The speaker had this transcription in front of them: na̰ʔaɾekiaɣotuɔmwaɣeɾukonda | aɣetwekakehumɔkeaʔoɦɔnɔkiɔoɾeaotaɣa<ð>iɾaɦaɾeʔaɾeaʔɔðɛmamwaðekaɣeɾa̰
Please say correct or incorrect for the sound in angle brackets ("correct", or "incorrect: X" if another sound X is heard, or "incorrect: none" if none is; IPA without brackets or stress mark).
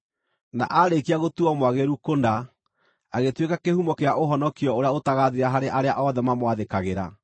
correct